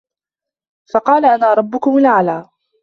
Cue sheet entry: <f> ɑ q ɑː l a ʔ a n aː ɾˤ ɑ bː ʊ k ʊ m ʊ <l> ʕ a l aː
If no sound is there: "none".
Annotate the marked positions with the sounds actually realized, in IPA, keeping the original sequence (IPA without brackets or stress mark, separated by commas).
f, l